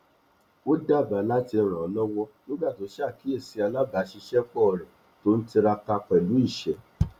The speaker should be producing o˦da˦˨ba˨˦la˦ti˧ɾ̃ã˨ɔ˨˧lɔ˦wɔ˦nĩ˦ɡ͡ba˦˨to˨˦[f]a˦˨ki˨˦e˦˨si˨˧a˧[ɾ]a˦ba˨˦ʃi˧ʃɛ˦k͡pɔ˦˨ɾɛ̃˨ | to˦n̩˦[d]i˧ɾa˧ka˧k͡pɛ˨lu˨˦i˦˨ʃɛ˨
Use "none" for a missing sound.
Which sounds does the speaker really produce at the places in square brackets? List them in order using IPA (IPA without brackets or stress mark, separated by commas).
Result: ʃ, l, t